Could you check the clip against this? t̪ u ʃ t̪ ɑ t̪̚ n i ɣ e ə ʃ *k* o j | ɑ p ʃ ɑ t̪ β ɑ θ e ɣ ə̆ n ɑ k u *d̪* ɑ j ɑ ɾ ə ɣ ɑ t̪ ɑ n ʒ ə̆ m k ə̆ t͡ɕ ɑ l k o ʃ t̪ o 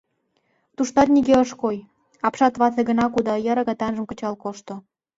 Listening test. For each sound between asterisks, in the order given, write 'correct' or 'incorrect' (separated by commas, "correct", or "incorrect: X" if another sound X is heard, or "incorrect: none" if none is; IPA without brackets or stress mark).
correct, correct